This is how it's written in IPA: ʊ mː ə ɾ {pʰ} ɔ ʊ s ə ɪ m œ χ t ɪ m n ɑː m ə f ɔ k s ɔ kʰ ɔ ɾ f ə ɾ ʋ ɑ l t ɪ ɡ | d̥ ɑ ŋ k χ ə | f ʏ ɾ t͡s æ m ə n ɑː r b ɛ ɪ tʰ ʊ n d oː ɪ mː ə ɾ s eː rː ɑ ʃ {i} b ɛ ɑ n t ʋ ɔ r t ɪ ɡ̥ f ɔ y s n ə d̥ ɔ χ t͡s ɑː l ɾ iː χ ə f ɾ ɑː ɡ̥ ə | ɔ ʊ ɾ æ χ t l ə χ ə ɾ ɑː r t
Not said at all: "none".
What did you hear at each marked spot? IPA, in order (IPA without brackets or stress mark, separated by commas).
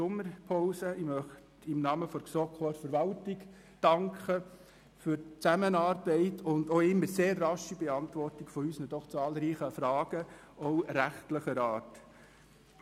pʰ, i